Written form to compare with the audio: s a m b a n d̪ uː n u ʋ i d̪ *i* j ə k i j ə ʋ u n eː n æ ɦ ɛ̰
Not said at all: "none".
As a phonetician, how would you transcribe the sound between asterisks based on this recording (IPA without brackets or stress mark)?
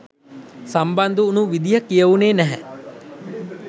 i